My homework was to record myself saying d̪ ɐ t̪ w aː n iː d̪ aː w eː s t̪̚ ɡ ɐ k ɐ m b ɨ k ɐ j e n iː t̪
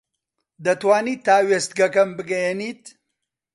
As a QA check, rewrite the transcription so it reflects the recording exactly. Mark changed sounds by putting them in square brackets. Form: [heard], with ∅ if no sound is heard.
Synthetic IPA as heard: d̪ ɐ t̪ w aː n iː [t̪] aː w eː s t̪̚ ɡ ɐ k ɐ m b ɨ [ɡ] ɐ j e n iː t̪